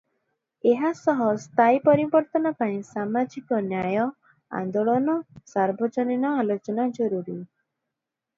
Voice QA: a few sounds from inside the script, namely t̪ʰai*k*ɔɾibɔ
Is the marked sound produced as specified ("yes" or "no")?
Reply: no